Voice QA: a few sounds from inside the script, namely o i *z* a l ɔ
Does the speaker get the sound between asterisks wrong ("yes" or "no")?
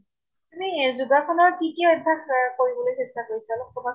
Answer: yes